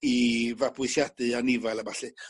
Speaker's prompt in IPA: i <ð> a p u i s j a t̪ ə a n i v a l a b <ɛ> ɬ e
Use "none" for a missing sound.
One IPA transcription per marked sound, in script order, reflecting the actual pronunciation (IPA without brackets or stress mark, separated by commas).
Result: v, a